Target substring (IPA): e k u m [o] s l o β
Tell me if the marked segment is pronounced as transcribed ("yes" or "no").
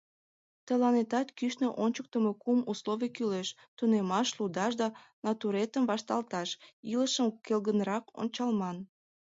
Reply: no